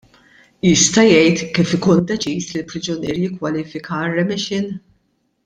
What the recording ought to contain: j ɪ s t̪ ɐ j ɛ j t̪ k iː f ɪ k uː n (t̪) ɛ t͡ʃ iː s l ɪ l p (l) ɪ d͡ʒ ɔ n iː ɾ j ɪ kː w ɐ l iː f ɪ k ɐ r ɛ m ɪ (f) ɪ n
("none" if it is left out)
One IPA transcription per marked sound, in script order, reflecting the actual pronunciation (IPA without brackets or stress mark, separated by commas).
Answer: d̪, ɾ, ʃ